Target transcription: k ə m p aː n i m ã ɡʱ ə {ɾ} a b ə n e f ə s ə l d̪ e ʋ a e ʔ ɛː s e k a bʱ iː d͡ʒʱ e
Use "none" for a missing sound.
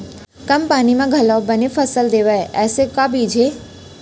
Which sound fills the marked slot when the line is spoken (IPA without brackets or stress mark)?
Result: l